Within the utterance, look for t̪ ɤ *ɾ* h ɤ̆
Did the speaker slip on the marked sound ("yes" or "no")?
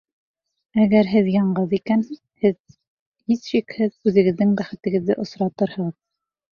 no